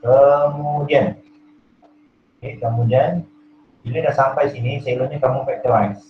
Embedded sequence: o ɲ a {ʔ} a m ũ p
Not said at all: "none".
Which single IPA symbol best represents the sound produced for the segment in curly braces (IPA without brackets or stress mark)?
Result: k